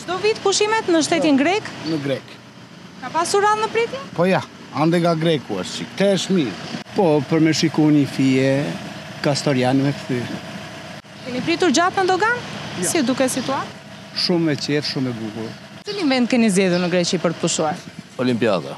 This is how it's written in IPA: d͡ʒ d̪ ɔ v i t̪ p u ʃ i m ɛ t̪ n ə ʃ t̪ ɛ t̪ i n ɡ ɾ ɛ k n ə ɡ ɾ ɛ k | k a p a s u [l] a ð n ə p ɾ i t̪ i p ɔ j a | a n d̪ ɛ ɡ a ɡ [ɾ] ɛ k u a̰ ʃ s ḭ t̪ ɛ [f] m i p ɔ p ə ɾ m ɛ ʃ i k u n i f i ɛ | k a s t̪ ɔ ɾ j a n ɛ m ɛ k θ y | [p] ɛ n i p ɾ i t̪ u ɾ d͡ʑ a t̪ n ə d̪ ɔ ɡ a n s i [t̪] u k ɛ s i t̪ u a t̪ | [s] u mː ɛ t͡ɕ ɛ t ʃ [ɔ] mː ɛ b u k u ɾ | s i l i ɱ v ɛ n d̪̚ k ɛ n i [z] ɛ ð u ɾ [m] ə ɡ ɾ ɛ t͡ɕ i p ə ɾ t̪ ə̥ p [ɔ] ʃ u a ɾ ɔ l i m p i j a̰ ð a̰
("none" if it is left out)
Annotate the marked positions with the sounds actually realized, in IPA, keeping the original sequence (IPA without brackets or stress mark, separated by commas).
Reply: ɾ, ɾ, ʃ, k, d̪, ʃ, u, z, n, u